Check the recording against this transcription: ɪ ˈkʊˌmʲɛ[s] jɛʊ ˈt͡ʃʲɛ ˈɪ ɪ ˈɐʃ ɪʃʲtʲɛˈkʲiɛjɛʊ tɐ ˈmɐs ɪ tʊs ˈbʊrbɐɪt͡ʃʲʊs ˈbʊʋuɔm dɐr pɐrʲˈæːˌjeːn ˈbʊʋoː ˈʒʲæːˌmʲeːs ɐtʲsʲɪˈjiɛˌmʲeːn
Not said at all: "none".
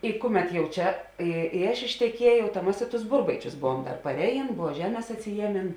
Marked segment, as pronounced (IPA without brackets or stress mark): t